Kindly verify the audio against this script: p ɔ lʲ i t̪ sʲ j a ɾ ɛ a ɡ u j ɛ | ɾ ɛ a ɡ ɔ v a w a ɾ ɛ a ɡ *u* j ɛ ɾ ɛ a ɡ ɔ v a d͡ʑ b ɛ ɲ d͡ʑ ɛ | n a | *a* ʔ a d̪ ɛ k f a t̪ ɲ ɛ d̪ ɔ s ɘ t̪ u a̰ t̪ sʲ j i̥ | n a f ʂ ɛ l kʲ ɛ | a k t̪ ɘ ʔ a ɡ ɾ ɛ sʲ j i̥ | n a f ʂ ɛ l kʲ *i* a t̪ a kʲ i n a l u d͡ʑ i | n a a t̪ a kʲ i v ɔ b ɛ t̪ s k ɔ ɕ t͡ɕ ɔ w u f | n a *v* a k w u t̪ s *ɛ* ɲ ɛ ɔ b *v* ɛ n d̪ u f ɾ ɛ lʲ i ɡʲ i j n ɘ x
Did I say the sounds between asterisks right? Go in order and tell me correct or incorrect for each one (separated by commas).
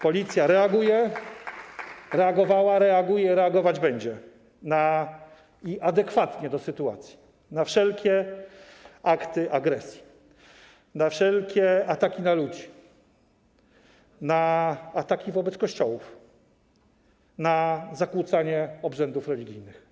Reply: correct, incorrect, incorrect, incorrect, incorrect, incorrect